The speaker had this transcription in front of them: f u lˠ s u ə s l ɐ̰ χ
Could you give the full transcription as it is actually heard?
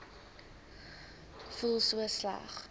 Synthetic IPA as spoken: f u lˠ s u ə s l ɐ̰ χ